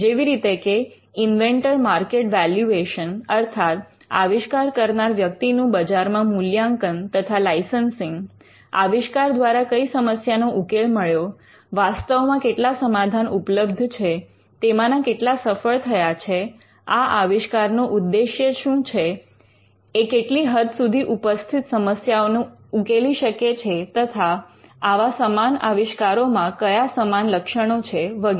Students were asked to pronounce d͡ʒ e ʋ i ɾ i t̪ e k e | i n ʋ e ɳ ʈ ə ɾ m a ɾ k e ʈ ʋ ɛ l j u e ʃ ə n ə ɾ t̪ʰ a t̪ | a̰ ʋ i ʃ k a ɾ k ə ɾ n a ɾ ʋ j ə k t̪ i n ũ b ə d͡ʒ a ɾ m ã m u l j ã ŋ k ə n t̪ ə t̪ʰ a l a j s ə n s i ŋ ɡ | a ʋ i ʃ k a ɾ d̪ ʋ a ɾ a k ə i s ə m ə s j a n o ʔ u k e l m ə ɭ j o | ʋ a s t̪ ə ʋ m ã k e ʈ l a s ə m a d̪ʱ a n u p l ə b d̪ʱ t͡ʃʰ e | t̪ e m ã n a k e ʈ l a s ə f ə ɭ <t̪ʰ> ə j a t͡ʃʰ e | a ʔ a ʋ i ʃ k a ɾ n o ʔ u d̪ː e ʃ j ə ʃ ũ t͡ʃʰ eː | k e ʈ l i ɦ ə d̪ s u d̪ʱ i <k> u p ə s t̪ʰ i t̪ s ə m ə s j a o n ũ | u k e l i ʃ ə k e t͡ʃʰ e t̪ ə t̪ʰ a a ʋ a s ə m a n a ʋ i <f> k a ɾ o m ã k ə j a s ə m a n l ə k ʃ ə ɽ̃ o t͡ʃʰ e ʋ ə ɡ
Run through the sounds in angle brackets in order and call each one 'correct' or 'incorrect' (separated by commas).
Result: correct, incorrect, incorrect